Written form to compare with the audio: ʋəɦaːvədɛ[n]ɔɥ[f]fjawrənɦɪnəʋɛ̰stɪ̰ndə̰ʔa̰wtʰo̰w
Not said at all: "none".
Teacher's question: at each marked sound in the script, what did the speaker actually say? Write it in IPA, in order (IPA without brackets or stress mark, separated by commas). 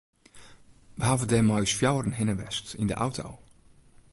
m, s